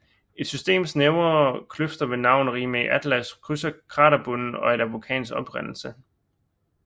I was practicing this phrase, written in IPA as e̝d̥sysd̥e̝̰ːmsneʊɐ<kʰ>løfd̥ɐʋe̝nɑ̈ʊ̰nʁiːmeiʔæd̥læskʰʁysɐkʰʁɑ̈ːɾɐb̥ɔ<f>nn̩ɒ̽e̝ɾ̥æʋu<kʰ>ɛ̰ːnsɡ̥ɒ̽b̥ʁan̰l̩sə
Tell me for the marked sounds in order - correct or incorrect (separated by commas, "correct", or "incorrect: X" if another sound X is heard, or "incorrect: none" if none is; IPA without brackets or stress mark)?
correct, incorrect: none, correct